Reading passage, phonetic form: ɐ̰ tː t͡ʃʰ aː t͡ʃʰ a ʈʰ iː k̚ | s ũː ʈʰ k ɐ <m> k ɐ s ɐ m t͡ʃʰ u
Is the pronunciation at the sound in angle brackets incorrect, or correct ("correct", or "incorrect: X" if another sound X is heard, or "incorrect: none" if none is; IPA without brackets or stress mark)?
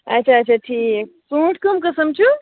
correct